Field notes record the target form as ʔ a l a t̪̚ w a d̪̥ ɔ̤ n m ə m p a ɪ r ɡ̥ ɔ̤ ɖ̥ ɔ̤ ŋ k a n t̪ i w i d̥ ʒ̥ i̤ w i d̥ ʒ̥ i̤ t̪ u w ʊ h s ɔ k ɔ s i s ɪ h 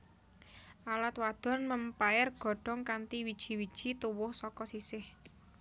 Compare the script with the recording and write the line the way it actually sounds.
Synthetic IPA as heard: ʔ a l a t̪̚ w a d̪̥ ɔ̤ n m ə m p a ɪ r ɡ̥ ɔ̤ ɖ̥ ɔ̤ ŋ k a n t̪ i w i d̥ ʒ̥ i̤ w i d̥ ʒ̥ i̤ t̪ u w ʊ h s ɔ k ɔ s i s ɪ h